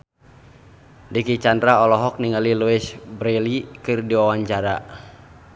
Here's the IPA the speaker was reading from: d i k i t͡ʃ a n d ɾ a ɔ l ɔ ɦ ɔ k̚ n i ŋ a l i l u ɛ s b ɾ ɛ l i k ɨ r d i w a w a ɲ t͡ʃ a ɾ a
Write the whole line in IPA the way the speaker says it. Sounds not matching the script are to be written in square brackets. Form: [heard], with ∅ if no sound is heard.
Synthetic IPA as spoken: d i k i t͡ʃ a n d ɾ a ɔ l ɔ ɦ ɔ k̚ n i ŋ a l i l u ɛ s b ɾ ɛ l i k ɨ r d i w a w a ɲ t͡ʃ a ɾ a